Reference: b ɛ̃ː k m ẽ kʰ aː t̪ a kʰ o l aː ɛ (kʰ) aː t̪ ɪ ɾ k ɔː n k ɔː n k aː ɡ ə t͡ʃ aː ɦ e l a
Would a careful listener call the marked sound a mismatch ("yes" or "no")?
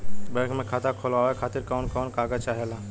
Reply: no